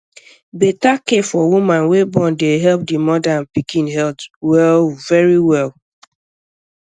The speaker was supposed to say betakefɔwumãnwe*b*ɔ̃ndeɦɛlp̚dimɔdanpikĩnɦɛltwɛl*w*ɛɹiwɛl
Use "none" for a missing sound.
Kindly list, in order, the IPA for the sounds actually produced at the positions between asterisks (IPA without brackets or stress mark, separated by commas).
b, v